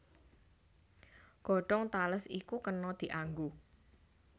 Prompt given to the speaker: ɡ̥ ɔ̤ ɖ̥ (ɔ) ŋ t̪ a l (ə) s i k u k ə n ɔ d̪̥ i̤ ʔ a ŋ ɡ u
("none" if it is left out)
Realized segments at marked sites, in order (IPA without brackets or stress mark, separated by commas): ɔ, ə